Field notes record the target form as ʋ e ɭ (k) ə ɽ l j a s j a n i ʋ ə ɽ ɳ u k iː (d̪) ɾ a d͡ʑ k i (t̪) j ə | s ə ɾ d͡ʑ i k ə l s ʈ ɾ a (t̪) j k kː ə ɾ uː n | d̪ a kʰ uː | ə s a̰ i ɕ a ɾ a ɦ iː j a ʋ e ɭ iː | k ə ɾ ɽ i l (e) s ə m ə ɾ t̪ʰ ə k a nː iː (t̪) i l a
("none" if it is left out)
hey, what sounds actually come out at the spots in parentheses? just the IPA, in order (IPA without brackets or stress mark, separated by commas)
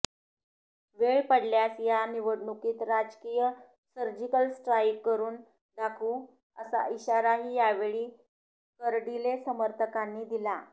p, t̪, none, none, e, d̪